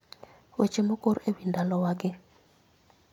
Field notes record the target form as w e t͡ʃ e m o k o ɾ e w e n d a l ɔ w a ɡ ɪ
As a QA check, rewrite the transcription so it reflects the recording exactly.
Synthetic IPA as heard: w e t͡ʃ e m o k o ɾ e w i n d a l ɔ w a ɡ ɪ